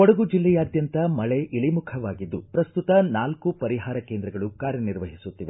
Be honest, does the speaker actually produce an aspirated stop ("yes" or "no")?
yes